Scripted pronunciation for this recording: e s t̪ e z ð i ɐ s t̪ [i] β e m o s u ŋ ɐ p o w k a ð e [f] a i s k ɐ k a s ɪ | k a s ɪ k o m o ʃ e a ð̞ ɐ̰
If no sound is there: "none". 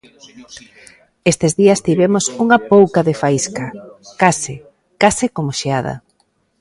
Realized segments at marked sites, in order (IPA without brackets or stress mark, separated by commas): i, f